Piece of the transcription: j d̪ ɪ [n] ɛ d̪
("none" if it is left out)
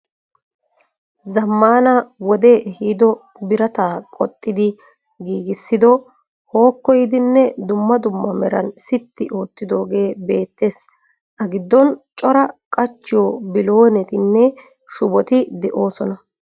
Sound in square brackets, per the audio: nː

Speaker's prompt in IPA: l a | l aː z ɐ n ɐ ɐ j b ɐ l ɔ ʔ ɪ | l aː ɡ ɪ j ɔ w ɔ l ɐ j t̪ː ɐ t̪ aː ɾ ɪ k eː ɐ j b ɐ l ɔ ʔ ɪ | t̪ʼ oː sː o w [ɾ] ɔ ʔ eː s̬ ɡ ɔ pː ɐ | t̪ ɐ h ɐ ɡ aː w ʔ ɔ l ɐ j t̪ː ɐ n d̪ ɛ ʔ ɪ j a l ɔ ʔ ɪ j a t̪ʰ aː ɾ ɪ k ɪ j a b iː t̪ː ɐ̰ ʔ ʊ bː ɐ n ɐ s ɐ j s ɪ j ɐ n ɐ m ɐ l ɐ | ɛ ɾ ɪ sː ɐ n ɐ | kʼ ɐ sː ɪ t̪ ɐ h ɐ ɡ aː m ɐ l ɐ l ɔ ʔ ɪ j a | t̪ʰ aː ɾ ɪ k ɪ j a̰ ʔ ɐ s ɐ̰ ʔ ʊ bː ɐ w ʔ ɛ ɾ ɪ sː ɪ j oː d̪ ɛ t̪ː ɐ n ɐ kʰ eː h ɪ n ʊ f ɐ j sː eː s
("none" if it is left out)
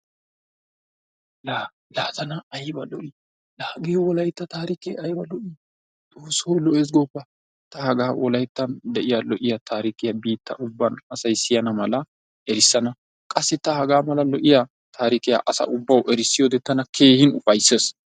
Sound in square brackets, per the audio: l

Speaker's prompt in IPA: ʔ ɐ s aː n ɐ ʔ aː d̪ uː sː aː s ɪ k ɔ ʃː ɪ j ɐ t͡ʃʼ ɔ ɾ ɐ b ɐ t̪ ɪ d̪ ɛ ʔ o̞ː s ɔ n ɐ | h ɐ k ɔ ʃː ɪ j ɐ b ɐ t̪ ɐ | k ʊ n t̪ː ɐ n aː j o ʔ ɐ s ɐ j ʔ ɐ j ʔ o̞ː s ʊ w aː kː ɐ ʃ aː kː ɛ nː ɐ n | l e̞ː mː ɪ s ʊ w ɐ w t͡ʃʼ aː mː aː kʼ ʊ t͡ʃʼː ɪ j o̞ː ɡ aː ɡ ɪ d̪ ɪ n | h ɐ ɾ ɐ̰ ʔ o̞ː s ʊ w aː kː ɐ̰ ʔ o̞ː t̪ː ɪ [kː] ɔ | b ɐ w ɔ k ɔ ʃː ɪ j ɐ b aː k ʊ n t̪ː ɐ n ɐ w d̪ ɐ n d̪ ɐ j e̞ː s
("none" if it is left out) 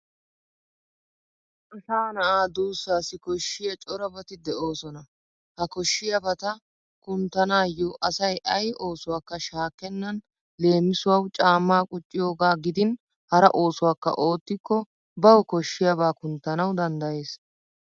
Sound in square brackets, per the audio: kː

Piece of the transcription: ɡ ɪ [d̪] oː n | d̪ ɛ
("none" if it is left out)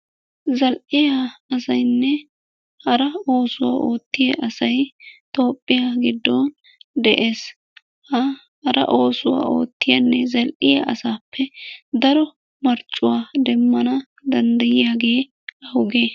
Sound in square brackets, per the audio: d̪ː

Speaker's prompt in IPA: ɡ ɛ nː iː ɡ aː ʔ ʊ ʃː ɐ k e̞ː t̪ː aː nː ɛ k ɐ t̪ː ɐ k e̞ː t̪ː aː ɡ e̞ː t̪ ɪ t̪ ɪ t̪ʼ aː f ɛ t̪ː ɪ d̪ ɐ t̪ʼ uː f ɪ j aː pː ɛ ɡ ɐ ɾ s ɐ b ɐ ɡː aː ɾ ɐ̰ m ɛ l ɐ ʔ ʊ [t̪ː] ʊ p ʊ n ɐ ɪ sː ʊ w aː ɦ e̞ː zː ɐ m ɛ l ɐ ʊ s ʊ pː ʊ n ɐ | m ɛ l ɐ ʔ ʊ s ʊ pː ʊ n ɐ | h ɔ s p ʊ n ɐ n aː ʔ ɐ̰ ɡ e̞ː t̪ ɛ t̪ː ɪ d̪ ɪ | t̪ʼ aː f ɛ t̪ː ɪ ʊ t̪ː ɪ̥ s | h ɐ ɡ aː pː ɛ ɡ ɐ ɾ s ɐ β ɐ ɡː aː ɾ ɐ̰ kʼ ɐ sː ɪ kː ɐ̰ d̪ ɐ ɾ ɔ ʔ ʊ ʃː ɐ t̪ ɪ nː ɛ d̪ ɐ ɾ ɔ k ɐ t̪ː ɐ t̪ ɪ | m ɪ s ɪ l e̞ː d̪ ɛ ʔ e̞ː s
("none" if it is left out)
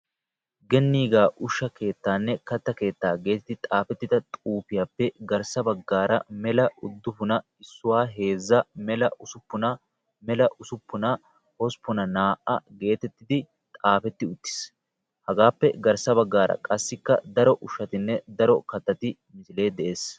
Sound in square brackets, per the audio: d̪ː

